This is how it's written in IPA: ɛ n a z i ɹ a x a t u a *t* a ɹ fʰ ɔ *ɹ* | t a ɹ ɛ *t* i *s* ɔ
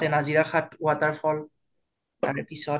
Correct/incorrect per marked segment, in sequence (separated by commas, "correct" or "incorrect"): correct, incorrect, incorrect, correct